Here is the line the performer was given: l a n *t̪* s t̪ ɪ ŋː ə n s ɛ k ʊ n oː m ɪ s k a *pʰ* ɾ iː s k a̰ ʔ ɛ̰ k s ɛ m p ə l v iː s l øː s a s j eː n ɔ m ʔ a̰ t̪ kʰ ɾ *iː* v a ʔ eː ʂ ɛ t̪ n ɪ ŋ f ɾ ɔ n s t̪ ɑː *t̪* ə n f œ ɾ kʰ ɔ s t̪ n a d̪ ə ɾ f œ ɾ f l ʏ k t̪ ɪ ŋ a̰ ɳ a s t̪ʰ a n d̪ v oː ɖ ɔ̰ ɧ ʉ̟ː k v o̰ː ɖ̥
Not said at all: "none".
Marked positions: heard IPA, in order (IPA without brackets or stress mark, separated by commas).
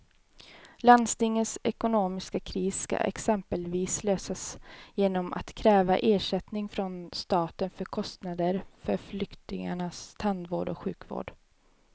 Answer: d̪, kʰ, ɛː, t̪